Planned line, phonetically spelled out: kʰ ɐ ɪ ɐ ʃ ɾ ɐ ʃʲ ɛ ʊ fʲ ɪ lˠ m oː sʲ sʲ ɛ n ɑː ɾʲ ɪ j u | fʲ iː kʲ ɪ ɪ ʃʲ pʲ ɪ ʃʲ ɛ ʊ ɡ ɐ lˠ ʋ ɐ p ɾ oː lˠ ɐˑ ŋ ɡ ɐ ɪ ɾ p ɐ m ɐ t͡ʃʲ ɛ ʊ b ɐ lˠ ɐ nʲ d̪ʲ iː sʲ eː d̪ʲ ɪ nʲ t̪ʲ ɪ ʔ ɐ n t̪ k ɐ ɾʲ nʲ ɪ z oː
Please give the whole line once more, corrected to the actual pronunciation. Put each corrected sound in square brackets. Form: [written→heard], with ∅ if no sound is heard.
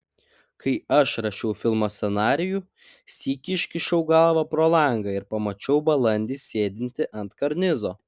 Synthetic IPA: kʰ ɐ ɪ ɐ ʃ ɾ ɐ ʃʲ ɛ ʊ fʲ ɪ lˠ m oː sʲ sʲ ɛ n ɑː ɾʲ ɪ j u | [fʲ→sʲ] iː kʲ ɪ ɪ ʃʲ [pʲ→kʲ] ɪ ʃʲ ɛ ʊ ɡ ɐ lˠ ʋ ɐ p ɾ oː lˠ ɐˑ ŋ ɡ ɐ ɪ ɾ p ɐ m ɐ t͡ʃʲ ɛ ʊ b ɐ lˠ ɐ nʲ d̪ʲ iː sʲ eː d̪ʲ ɪ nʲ t̪ʲ ɪ ʔ ɐ n t̪ k ɐ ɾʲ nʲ ɪ z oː